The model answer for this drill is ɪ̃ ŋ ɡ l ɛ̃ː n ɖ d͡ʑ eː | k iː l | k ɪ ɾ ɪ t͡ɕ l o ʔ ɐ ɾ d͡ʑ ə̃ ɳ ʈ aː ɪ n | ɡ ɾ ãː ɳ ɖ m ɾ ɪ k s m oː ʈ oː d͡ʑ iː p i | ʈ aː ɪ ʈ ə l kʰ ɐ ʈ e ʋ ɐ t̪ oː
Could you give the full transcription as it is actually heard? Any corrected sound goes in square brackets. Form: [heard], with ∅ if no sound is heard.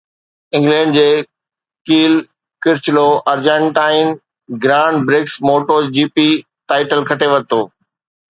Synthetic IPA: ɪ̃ ŋ ɡ l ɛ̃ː [ɳ] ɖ d͡ʑ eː | k iː l | k ɪ ɾ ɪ t͡ɕ l o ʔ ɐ ɾ d͡ʑ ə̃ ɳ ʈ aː ɪ n | ɡ ɾ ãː ɳ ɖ [b] ɾ ɪ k s m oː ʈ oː d͡ʑ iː p i | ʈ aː ɪ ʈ ə l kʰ ɐ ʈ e ʋ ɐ t̪ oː